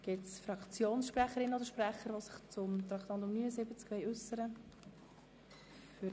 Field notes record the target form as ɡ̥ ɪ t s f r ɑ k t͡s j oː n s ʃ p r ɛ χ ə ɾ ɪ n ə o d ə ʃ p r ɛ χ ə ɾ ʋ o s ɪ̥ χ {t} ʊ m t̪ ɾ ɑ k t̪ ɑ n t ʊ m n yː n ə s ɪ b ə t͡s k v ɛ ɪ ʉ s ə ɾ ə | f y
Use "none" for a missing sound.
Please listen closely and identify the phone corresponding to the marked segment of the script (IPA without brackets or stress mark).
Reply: t͡s